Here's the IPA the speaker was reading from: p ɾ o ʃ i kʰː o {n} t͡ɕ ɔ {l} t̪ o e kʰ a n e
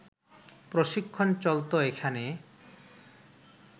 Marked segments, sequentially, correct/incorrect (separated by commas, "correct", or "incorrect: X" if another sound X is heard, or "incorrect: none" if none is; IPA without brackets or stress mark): correct, correct